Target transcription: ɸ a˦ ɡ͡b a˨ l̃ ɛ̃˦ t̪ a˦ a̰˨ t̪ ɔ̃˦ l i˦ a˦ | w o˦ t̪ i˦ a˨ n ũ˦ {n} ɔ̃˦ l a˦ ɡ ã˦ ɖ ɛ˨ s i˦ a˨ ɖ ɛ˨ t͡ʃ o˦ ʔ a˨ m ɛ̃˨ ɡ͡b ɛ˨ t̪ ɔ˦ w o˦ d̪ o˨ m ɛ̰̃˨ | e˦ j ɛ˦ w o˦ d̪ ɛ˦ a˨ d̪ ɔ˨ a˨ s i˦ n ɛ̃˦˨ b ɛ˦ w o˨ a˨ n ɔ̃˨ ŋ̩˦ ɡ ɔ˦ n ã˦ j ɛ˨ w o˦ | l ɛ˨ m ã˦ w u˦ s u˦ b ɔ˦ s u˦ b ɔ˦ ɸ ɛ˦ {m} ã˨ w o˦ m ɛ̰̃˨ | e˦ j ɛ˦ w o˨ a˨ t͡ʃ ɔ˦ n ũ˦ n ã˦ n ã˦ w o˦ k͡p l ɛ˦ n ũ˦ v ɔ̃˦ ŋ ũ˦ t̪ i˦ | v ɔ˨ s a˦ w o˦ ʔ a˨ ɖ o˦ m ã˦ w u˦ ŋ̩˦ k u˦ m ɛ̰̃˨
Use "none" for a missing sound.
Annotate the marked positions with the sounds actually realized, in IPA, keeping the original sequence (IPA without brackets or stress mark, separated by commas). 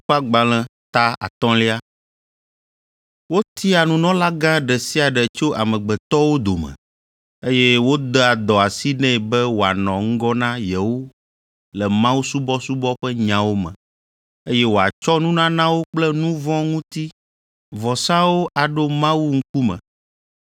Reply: n, ɲ